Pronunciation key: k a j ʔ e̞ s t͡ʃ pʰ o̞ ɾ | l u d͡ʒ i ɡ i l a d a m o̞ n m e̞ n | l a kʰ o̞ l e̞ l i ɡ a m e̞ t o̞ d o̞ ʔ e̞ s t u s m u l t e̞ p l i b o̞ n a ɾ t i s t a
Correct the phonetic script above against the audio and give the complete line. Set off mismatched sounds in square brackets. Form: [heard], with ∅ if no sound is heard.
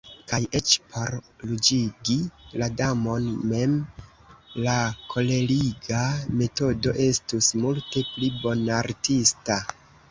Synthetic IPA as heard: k a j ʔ e̞ [∅] t͡ʃ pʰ o̞ ɾ | l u d͡ʒ i ɡ i l a d a m o̞ n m e̞ [m] | l a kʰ o̞ l e̞ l i ɡ a m e̞ t o̞ d o̞ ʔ e̞ s t u s m u l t e̞ p l i b o̞ n a ɾ t i s t a

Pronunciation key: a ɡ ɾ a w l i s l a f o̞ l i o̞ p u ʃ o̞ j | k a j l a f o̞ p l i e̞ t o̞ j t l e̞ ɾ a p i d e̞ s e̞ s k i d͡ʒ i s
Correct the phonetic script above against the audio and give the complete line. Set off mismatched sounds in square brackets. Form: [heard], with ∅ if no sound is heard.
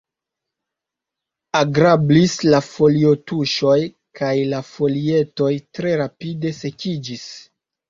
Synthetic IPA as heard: a ɡ ɾ a [b] l i s l a f o̞ l i o̞ [t] u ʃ o̞ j | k a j l a f o̞ [∅] l i e̞ t o̞ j t [ɾ] e̞ ɾ a p i d e̞ s e̞ [∅] k i d͡ʒ i s

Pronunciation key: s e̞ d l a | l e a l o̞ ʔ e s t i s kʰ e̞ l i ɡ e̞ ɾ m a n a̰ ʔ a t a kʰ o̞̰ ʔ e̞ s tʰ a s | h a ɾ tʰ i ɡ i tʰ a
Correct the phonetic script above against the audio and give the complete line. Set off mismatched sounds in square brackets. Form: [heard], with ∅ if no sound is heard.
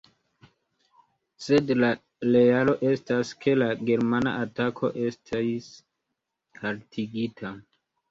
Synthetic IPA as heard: s e̞ d l a | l e a l o̞ ʔ e s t [a] s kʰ e̞ l [a] ɡ e̞ ɾ m a n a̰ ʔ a t a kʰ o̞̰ ʔ e̞ s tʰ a s | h a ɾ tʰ i ɡ i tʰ a

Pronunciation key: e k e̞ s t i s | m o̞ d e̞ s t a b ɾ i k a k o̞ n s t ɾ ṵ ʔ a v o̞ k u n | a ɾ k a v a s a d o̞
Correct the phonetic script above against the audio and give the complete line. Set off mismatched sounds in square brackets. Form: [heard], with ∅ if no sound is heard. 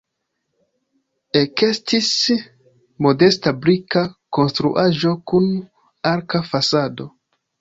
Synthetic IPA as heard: e k e̞ s t i s | m o̞ d e̞ s t a b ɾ i k a k o̞ n s t ɾ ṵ ʔ a [ʒ] o̞ k u n | a ɾ k a [f] a s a d o̞

